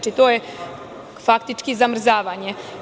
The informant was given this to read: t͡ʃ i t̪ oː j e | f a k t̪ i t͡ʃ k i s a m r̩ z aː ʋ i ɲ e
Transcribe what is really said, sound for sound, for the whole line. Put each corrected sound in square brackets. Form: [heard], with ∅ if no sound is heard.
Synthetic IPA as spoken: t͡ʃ i t̪ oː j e | f a k t̪ i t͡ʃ k i [z] a m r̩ z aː ʋ [a] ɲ e